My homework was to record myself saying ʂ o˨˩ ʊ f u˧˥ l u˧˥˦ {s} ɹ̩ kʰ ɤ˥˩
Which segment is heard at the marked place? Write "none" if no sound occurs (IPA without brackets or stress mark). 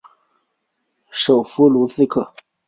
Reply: s